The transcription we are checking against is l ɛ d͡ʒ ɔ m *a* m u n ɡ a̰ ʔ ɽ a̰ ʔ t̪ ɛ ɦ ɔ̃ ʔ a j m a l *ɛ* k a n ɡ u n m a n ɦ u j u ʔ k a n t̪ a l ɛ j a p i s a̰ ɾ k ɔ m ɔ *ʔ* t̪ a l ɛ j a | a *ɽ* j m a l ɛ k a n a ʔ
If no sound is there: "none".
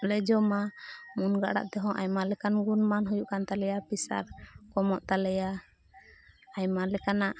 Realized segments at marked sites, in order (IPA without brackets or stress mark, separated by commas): a, ɛ, ʔ, none